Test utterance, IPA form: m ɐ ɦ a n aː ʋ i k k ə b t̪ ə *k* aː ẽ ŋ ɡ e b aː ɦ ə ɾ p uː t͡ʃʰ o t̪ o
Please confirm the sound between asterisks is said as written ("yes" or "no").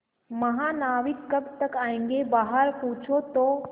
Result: yes